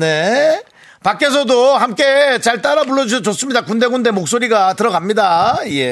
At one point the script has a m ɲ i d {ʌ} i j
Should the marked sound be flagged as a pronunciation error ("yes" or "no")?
yes